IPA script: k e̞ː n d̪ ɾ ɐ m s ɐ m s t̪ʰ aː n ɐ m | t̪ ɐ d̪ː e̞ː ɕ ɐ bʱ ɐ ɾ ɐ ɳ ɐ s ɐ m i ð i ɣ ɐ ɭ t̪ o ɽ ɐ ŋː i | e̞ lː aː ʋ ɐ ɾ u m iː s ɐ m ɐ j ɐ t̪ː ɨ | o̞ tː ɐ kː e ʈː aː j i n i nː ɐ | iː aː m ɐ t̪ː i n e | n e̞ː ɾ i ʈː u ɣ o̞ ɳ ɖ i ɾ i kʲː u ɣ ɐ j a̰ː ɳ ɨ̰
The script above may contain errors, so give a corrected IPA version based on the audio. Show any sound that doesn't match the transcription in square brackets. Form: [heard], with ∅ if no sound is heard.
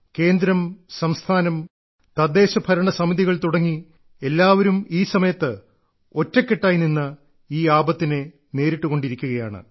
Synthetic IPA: k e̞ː n d̪ ɾ ɐ m s ɐ m s t̪ʰ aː n ɐ m | t̪ ɐ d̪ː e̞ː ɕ ɐ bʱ ɐ ɾ ɐ ɳ ɐ s ɐ m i ð i ɣ ɐ ɭ t̪ [u] ɽ ɐ ŋː i | e̞ lː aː ʋ ɐ ɾ u m iː s ɐ m ɐ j ɐ t̪ː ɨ | o̞ tː ɐ kː e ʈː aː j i n i nː ɐ | iː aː [b] ɐ t̪ː i n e | n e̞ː ɾ i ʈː u ɣ o̞ ɳ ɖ i ɾ i kʲː u ɣ ɐ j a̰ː ɳ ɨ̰